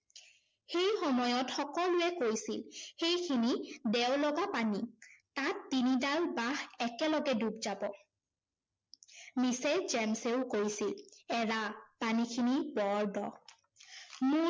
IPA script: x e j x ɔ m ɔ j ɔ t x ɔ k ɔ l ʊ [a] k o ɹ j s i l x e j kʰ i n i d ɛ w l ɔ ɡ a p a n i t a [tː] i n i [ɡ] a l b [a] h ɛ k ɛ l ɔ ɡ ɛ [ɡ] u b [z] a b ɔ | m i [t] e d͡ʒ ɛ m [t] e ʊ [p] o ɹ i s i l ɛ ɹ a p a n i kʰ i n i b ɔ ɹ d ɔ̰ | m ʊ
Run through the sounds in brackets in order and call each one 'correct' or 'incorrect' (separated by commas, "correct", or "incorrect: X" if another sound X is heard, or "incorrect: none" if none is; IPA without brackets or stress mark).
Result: incorrect: ɛ, correct, incorrect: d, correct, incorrect: d, correct, incorrect: s, incorrect: s, incorrect: k